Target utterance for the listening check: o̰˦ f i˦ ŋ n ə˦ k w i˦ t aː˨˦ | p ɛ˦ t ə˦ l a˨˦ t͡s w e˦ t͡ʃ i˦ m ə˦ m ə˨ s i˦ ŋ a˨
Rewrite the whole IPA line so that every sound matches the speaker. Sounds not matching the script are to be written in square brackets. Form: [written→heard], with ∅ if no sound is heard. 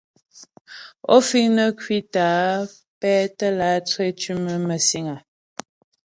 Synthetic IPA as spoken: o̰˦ f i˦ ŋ n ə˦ k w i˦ t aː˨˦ | p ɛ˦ t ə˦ l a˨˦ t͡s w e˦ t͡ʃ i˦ m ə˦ m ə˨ s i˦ ŋ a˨